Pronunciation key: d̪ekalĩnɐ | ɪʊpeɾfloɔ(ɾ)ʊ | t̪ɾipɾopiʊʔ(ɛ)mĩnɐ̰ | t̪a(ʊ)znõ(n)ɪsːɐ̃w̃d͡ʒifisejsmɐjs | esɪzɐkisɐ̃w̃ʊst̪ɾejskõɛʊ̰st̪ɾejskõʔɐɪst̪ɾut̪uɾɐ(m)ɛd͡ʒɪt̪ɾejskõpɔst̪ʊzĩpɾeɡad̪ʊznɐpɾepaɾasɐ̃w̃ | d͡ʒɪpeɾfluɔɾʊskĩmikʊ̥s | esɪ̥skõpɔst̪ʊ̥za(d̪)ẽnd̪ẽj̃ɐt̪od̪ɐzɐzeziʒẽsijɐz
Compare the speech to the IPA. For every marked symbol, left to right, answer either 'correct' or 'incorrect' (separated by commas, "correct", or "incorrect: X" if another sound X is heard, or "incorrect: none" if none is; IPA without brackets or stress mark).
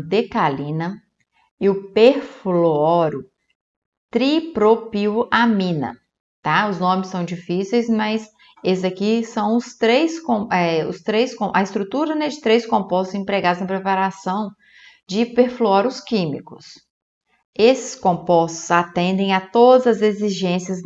correct, incorrect: a, correct, incorrect: m, incorrect: n, incorrect: t̪